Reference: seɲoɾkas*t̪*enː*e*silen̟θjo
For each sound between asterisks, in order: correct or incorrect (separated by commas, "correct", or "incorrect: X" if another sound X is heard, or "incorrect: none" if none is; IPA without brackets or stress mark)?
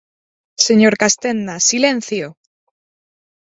correct, incorrect: a